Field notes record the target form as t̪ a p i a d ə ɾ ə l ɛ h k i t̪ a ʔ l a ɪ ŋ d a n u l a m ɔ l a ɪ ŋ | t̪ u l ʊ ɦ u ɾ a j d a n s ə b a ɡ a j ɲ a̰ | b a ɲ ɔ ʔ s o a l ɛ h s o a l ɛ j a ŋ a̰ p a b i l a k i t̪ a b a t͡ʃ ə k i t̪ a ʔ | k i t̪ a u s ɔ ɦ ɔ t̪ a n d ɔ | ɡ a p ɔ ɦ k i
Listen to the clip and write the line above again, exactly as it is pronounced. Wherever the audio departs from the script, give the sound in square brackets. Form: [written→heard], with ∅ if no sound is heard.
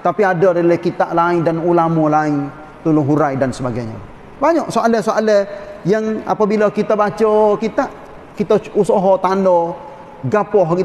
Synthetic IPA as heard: t̪ a p i a d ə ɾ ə l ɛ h k i t̪ a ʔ l a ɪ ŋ d a n u l a m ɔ l a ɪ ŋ | t̪ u l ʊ ɦ u ɾ a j d a n s ə b a ɡ a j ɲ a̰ | b a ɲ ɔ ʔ s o a l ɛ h s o a l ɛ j a ŋ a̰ p a b i l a k i t̪ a b a t͡ʃ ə k i t̪ a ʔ | k i t̪ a u s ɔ ɦ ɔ t̪ a n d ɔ | ɡ a p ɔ ɦ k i